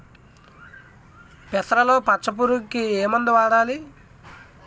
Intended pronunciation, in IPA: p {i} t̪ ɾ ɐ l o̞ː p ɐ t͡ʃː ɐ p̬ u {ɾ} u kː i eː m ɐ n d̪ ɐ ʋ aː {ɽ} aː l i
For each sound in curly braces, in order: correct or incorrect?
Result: incorrect, correct, correct

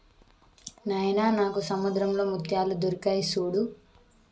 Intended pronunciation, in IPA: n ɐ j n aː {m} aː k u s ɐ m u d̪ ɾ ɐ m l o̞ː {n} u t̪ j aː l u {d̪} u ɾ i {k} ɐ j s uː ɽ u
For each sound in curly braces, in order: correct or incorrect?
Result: incorrect, incorrect, correct, correct

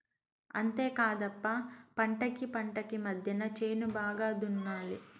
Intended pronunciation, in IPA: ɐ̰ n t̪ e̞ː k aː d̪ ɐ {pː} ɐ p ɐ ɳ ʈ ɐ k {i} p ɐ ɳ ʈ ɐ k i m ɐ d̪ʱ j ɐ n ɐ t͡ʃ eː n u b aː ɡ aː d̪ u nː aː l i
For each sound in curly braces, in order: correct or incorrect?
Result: correct, correct

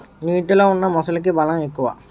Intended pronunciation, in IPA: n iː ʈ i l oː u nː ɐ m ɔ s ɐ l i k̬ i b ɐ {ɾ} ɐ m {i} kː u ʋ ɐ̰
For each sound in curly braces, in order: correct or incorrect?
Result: incorrect, incorrect

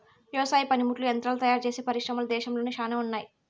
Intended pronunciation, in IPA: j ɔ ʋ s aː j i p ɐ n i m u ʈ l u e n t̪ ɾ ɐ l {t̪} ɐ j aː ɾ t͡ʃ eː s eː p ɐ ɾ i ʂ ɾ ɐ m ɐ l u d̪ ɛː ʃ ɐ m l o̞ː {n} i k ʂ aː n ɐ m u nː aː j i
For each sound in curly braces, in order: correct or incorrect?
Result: correct, correct

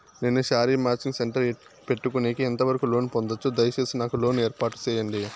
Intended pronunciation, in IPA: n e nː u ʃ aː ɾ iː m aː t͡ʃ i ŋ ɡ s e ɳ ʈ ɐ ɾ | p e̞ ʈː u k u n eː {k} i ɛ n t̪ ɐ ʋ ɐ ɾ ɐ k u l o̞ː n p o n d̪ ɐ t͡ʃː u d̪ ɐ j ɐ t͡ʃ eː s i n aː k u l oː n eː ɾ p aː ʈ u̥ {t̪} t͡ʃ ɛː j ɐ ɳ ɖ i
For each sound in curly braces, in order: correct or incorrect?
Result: correct, incorrect

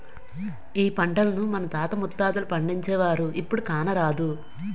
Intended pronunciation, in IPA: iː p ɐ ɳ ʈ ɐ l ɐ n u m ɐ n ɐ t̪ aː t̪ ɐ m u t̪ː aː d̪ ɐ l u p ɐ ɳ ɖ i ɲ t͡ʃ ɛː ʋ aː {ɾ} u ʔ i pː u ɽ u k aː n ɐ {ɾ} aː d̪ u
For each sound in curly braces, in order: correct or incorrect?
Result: correct, correct

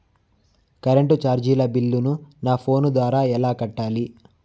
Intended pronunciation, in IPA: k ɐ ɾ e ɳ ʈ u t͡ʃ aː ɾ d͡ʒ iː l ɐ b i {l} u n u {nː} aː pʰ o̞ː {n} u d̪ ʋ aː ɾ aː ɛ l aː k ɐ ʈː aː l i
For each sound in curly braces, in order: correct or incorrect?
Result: incorrect, incorrect, correct

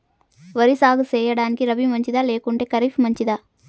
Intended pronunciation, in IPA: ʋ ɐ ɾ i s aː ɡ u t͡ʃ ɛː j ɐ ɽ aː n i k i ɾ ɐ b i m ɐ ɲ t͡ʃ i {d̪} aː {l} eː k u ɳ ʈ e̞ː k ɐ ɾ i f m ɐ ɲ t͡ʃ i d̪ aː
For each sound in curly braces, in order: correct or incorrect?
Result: correct, correct

